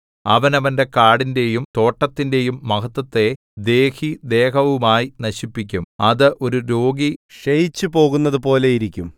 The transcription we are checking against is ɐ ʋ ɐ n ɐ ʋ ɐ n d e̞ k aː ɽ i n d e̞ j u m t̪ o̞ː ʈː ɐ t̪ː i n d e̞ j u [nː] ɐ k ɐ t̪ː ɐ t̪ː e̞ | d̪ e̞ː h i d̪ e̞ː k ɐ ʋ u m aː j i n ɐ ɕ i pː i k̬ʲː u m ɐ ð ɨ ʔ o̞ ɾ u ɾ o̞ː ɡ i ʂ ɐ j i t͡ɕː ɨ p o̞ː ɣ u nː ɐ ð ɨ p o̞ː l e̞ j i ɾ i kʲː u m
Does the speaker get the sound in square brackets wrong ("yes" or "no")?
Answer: yes